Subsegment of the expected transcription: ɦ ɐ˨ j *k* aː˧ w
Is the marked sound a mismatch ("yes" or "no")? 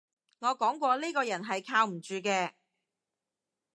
yes